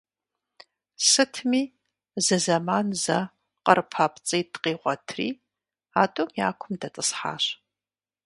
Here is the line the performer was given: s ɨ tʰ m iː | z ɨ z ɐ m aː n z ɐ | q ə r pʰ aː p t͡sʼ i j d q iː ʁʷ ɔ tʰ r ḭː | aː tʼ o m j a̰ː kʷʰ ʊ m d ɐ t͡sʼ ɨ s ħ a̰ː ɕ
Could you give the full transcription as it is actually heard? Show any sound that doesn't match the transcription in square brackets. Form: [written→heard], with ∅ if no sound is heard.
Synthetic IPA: s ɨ tʰ m iː | z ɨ z ɐ m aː n z ɐ | q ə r pʰ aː p t͡sʼ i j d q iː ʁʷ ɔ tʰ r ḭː | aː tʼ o m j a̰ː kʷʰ ʊ m d ɐ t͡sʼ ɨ s ħ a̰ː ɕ